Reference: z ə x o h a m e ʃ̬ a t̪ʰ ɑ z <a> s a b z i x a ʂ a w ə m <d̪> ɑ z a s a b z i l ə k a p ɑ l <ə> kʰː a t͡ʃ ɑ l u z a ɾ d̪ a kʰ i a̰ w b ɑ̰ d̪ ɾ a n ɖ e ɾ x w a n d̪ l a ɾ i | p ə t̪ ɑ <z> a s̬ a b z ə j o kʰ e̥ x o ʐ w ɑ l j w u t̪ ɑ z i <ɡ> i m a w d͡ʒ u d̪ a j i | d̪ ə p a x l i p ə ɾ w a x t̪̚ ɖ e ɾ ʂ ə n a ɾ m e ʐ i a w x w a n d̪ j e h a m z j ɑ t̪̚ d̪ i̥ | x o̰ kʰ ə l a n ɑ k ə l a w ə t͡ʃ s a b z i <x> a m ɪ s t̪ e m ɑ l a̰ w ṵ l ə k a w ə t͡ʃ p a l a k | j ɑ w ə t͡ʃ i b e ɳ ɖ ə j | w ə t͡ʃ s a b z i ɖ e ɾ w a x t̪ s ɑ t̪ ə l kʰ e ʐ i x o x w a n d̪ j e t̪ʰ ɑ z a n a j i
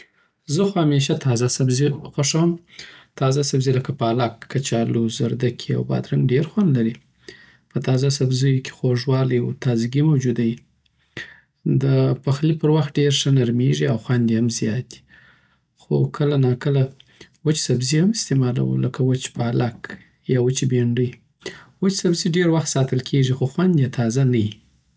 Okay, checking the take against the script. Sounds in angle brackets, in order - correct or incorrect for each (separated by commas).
correct, incorrect, incorrect, correct, correct, incorrect